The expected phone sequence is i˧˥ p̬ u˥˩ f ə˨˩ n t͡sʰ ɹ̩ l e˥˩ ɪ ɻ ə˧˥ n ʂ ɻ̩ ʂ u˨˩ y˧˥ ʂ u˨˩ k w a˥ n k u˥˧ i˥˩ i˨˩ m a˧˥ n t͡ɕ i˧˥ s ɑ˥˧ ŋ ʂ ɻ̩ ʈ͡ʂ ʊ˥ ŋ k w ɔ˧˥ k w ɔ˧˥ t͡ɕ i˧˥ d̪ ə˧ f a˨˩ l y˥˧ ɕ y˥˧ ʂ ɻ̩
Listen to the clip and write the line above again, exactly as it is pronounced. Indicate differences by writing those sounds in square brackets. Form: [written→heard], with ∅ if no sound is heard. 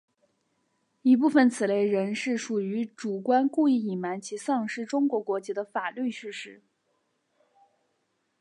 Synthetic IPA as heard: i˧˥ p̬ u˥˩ f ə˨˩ n t͡sʰ ɹ̩ l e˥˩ ɪ ɻ ə˧˥ n ʂ ɻ̩ ʂ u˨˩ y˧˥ [ʂ→ʈ͡ʂ] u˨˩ k w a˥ n k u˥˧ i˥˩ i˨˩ m a˧˥ n [t͡ɕ→t͡ɕʰ] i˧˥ s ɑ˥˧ ŋ ʂ ɻ̩ ʈ͡ʂ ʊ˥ ŋ k w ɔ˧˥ k w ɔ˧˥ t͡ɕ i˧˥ d̪ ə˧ f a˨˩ l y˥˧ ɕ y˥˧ ʂ ɻ̩